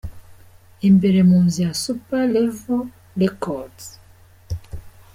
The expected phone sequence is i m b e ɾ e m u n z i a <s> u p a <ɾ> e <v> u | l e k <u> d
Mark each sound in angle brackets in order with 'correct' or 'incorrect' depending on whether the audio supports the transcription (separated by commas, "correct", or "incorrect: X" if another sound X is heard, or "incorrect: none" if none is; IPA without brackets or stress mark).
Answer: correct, incorrect: l, correct, incorrect: ɔ